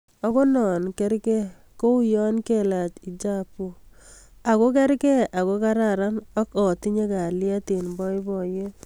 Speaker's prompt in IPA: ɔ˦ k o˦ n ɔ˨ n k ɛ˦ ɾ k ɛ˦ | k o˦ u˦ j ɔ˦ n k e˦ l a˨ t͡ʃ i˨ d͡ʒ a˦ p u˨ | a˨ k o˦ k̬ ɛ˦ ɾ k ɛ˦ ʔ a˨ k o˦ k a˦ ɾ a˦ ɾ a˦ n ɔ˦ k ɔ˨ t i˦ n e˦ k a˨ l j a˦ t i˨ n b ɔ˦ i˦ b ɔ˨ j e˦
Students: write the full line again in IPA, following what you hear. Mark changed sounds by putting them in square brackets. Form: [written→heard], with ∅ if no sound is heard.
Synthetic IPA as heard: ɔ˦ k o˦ n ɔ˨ n k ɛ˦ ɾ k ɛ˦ | k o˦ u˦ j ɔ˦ n k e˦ l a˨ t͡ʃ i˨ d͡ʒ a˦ p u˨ | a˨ k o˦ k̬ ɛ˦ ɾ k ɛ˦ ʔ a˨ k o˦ k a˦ ɾ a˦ ɾ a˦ n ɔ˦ k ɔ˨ t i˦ [n→ɲ] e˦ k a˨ l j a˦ t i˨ n b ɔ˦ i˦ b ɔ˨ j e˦

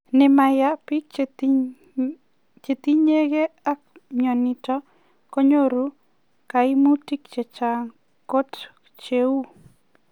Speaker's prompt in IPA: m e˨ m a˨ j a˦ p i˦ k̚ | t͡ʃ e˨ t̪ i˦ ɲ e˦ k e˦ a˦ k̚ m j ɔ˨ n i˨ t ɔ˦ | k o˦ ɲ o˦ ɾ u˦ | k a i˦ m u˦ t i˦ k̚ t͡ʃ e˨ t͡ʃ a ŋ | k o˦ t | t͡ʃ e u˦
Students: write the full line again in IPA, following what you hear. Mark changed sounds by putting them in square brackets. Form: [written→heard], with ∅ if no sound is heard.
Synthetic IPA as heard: [m→n] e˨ m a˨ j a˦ p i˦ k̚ | t͡ʃ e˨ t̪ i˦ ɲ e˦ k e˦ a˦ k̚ m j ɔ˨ n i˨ t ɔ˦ | k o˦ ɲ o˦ ɾ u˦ | k a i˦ m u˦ t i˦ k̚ t͡ʃ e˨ t͡ʃ a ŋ | k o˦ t | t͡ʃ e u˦

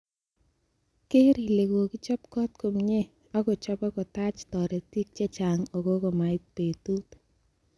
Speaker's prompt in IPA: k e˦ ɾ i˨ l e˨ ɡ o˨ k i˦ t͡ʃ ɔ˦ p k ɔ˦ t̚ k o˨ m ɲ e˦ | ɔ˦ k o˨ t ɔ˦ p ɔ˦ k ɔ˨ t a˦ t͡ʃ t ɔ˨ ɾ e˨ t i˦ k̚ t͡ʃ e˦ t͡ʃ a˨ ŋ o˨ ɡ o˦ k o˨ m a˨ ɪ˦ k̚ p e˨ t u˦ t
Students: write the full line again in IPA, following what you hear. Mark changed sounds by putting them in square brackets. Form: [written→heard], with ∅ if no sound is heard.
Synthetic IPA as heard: k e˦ ɾ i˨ l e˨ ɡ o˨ k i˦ t͡ʃ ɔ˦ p k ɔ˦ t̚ k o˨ m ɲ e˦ | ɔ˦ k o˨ [t→t͡ʃ] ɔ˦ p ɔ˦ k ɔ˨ t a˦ t͡ʃ t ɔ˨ ɾ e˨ t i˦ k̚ t͡ʃ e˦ t͡ʃ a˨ ŋ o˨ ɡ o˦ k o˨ m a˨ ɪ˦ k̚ p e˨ t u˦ t

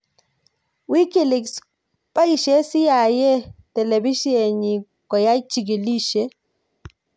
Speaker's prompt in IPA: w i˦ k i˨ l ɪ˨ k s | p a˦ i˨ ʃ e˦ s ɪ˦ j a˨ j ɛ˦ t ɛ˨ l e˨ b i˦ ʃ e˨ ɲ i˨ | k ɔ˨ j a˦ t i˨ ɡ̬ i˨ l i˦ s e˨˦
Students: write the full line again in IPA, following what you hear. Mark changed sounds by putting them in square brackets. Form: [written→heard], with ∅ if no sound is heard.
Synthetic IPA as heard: w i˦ k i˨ l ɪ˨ k s | p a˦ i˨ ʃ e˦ s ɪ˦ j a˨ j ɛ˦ t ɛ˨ l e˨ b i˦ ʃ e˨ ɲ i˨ | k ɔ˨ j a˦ [t→t͡ʃ] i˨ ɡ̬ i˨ l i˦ [s→ʃ] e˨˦

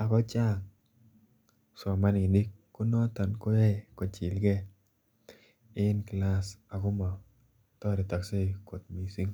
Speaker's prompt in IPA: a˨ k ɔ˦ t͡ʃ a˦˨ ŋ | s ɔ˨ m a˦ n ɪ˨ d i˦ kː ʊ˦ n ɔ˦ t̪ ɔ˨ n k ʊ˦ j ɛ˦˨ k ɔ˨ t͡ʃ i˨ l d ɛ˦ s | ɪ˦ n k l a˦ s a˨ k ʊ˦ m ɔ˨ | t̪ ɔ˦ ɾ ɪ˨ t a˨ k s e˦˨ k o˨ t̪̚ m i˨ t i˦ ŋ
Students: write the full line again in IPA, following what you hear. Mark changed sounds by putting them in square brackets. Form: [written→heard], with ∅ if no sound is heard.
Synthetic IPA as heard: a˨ k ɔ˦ t͡ʃ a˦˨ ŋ | s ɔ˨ m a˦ n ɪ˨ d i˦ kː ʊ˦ n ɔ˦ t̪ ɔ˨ n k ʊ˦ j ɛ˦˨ k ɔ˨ t͡ʃ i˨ l [d→ɡ] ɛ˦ [s→∅] | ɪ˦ n k l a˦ s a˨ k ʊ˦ m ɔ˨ | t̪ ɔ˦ ɾ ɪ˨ t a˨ k s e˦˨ k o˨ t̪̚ m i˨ [t→s] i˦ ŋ

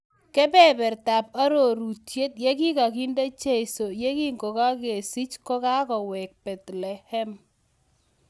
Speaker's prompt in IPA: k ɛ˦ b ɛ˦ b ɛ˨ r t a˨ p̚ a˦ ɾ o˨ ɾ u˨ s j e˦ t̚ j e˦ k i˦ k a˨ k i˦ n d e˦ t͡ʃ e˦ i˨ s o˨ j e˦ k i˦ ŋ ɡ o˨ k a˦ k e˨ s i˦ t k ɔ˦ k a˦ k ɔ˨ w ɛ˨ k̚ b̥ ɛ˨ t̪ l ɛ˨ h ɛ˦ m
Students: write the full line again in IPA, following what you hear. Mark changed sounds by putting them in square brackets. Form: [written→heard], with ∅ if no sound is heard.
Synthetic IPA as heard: k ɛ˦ b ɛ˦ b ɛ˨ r t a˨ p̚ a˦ ɾ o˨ ɾ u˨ [s→t] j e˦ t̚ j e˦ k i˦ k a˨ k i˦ n d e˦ t͡ʃ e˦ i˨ s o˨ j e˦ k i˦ ŋ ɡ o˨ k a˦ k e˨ s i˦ [t→t͡ʃ] k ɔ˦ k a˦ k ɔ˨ w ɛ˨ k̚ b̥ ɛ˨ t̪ l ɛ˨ h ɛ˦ m

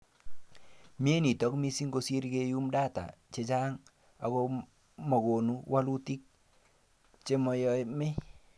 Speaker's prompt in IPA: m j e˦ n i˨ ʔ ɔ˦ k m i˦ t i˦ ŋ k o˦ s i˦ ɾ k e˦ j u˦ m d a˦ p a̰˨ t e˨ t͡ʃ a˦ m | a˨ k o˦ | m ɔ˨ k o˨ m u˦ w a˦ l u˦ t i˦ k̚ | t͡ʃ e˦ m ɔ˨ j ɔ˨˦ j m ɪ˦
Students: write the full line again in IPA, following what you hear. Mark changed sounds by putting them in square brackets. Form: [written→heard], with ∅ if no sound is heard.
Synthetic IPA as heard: m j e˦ n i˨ [ʔ→t] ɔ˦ k m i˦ [t→s] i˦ ŋ [k→ɡ] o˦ s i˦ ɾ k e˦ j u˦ m d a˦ [p→t] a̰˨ [t→t͡ʃ] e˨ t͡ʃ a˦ [m→ŋ] | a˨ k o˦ | m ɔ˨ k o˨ [m→n] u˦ w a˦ l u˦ t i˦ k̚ | t͡ʃ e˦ m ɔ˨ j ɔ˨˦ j m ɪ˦

